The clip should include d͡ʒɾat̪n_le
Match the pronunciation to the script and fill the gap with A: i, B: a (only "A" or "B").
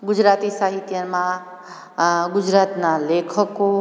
B